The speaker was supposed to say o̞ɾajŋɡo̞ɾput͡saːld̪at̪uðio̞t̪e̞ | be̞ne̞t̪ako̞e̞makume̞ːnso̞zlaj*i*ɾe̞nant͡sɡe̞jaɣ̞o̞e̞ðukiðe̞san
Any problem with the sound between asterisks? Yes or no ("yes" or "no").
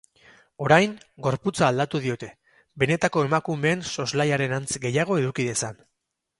yes